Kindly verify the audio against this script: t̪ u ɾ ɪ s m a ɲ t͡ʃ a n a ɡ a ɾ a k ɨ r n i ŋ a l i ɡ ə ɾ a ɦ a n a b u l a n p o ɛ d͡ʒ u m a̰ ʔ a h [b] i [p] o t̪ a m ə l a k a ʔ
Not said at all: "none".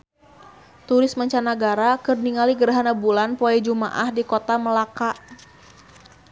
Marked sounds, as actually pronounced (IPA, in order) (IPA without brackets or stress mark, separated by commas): d, k